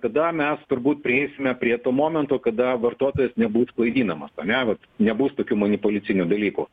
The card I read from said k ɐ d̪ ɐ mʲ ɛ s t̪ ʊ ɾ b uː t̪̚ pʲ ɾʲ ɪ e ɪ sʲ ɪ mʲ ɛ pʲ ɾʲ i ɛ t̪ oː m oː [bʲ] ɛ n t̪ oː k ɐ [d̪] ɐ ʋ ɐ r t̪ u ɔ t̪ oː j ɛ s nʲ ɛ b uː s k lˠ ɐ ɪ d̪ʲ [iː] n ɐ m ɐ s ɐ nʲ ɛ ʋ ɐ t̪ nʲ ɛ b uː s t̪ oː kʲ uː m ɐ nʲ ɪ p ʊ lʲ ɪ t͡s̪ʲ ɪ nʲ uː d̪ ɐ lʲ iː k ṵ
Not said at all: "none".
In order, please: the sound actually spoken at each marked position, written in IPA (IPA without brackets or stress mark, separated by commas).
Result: mʲ, d̪, iː